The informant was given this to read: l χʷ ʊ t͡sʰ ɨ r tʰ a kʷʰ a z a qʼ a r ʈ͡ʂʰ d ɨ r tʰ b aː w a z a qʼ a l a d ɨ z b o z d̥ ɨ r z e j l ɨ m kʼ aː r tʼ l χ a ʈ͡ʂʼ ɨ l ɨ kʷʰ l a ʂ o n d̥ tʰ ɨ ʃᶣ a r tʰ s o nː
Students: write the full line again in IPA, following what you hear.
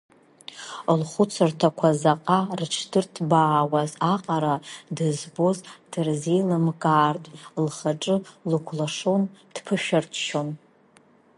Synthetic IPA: l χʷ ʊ t͡sʰ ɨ r tʰ a kʷʰ a z a qʼ a r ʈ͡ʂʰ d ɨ r tʰ b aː w a z a qʼ a ɾ a d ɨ z b o z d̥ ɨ r z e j l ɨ m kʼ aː r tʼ l χ a ʈ͡ʂʼ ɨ l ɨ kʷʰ l a ʂ o n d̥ pʰ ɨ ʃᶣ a r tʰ ʃ o n